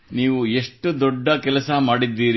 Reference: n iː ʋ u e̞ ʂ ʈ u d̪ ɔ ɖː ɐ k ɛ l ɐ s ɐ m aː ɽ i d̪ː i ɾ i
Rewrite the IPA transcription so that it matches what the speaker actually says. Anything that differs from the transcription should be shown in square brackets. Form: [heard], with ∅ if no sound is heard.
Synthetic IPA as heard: n iː ʋ u e̞ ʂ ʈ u d̪ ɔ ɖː ɐ k ɛ l ɐ s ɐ m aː ɽ i d̪ː [iː] ɾ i